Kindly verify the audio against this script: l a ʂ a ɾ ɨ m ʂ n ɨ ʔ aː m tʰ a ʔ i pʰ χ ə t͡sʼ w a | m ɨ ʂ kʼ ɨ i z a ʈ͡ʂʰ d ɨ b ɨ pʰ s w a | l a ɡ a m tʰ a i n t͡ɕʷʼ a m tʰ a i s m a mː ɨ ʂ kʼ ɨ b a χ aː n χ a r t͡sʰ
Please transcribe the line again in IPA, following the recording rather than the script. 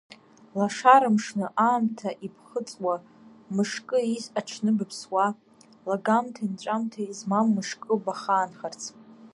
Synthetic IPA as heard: l a ʂ a ɾ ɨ m ʂ n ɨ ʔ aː m tʰ a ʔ i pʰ χ ə t͡sʼ w a | m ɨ ʂ kʼ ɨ i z a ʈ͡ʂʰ n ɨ b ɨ pʰ s w a | l a ɡ a m tʰ a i n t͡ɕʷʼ a m tʰ a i z m a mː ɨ ʂ kʼ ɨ b a χ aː n χ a r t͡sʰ